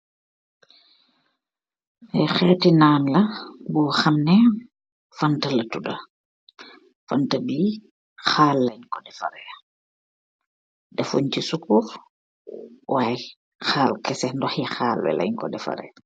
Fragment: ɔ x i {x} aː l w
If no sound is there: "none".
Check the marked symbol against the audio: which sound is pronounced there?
x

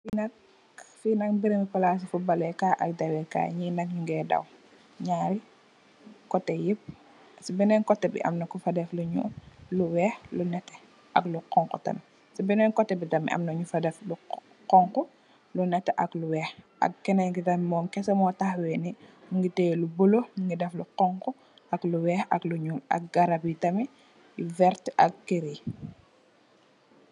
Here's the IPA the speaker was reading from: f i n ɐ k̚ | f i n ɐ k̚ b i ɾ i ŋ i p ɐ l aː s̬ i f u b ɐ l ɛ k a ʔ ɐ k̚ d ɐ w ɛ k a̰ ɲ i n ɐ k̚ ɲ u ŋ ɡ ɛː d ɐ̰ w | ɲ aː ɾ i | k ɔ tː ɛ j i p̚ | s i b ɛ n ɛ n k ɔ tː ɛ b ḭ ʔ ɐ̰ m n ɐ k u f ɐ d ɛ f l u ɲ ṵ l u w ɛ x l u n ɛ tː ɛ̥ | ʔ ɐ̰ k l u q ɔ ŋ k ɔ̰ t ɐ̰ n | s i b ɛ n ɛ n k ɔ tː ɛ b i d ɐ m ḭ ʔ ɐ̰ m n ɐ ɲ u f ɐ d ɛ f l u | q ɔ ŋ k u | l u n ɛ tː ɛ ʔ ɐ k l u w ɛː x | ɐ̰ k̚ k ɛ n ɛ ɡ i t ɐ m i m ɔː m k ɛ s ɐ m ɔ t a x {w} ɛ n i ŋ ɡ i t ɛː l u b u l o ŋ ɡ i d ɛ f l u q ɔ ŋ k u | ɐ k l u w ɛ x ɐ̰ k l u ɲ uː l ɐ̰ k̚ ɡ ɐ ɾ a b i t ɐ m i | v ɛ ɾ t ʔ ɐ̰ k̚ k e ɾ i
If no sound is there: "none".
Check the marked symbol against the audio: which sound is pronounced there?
w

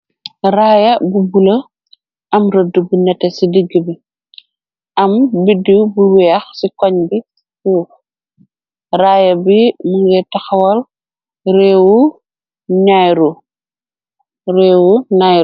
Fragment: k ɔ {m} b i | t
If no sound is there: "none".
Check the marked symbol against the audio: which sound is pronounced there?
ɲ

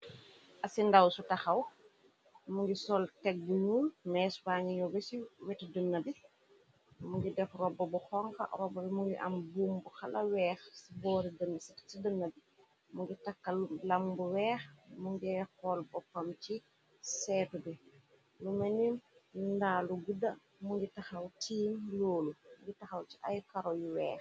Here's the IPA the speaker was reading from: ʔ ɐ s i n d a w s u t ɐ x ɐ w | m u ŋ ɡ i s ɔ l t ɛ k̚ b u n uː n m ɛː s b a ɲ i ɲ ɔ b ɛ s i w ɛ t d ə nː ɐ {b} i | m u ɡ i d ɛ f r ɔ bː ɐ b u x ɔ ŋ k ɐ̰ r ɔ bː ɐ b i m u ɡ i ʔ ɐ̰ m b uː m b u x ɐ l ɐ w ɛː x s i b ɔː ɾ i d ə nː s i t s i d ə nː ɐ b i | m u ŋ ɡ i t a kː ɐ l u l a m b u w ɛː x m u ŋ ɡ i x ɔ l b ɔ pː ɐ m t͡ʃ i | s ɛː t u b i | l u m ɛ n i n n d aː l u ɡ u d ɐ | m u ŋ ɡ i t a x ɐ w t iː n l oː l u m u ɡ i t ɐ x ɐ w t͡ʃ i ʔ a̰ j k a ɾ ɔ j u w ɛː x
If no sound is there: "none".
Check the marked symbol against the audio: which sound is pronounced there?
b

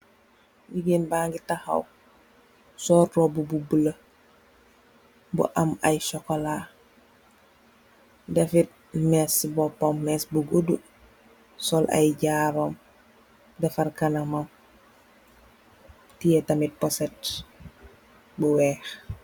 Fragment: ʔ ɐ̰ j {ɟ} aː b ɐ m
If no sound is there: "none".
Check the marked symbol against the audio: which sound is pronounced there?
ɟ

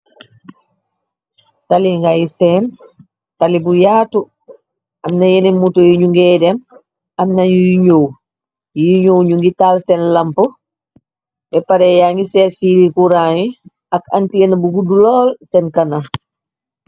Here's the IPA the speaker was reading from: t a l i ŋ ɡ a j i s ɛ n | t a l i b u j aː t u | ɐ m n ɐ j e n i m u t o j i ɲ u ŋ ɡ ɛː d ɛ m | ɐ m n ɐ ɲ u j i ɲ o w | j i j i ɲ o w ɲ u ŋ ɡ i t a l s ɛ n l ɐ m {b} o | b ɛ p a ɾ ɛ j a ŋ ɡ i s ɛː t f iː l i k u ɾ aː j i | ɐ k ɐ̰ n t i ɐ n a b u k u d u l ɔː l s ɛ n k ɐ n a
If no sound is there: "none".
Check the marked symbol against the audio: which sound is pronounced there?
p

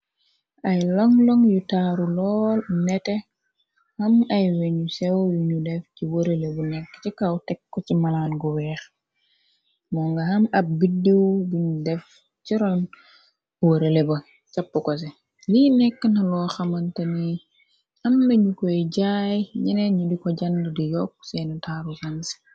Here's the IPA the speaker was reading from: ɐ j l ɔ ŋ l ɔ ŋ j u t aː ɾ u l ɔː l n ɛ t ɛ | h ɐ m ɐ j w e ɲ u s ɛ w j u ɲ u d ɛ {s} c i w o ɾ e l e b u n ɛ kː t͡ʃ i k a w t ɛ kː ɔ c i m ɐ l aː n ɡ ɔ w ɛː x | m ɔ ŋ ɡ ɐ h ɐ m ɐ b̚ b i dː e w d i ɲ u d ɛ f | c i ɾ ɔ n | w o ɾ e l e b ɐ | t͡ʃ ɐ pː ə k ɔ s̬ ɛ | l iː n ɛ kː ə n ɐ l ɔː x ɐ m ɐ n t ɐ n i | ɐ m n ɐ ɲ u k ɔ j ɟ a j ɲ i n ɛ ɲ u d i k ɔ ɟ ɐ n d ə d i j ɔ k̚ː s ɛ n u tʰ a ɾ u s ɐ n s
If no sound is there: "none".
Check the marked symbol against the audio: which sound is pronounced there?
f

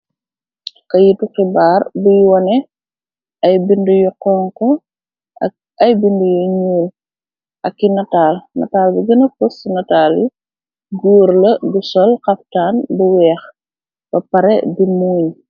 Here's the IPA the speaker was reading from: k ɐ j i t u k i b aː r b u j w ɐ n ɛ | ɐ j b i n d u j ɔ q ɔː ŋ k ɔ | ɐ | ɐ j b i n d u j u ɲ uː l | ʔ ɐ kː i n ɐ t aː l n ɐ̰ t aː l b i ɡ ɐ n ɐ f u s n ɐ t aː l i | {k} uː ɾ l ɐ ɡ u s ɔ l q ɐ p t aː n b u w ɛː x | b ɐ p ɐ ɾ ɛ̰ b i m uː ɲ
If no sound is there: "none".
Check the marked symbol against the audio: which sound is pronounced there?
ɡ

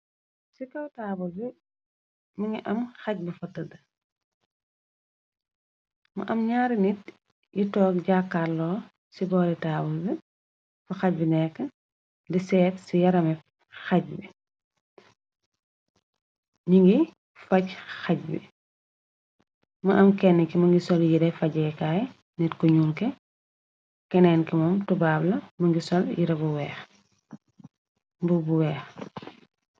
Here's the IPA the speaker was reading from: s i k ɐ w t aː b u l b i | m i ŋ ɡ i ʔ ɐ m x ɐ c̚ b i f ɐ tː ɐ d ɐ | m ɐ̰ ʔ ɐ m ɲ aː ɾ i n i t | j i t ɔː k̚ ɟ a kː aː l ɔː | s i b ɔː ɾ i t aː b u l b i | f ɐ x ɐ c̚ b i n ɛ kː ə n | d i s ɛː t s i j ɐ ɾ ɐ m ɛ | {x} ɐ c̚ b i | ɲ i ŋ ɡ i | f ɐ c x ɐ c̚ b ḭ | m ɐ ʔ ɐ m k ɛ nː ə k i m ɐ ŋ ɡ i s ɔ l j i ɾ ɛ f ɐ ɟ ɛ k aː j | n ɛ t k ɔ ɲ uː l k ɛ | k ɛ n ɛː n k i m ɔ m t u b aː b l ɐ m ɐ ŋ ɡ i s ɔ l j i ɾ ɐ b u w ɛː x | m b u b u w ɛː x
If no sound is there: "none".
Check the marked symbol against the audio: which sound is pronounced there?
x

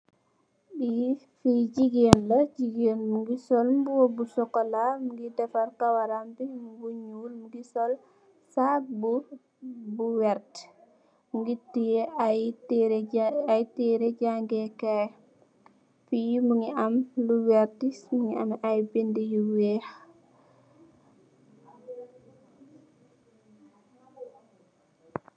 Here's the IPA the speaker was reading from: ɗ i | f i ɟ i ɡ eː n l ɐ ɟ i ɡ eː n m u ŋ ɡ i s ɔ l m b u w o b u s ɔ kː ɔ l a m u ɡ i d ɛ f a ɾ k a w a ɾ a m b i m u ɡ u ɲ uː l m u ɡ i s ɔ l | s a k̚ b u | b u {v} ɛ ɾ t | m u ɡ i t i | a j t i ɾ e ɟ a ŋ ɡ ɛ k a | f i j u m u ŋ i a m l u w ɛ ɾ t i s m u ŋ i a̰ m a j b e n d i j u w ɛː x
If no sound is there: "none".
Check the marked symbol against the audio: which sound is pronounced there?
w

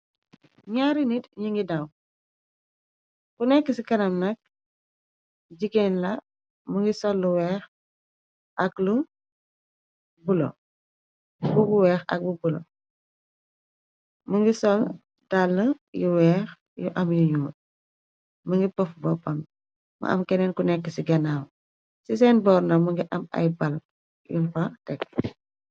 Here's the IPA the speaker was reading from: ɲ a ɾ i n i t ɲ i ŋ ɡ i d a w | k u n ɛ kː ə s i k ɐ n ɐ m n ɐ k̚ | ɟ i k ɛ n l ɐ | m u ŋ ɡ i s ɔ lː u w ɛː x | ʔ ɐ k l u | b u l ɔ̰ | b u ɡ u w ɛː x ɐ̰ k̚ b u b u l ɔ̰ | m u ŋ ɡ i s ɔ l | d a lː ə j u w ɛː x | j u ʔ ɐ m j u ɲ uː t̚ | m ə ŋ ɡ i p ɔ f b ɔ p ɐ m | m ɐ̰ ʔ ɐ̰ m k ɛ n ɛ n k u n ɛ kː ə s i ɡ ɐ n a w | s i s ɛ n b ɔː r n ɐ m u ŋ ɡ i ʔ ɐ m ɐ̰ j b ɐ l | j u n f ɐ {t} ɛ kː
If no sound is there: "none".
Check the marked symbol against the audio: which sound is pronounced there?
t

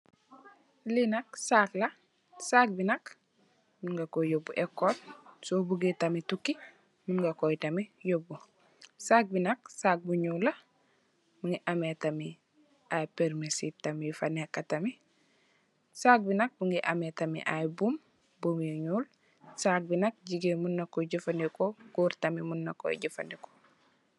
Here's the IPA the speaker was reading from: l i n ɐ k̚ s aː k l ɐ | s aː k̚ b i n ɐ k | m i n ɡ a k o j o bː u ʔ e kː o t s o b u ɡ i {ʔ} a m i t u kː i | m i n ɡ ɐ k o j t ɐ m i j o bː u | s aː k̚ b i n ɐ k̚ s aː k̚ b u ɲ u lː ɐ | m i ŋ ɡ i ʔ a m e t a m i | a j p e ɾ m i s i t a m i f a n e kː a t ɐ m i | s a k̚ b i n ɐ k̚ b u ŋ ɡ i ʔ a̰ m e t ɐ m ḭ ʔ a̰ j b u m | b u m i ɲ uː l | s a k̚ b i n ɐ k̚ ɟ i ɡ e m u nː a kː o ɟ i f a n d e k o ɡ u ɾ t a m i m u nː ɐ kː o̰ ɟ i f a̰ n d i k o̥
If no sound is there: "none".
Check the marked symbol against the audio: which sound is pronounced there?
t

